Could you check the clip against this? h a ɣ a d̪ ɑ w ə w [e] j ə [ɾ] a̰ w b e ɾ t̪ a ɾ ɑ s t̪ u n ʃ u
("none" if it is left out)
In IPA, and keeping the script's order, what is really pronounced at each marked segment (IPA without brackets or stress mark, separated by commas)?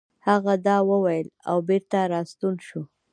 a, l